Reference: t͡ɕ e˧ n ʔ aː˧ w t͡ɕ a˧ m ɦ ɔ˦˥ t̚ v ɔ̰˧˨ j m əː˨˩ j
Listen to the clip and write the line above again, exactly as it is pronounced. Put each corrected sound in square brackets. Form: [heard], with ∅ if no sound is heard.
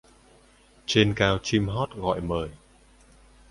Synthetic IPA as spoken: t͡ɕ e˧ n [k] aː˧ w t͡ɕ [i˧] m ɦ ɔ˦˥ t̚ [ɣ] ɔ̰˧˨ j m əː˨˩ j